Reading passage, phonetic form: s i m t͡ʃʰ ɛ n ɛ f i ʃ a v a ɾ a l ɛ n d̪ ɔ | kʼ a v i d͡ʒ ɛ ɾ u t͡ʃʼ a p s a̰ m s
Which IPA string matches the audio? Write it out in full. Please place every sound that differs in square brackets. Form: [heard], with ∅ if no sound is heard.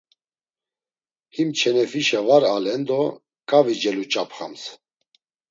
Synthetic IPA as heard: [h] i m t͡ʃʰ ɛ n ɛ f i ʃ a v a ɾ a l ɛ n d̪ ɔ | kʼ a v i d͡ʒ ɛ [l] u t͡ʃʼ a p [χ] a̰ m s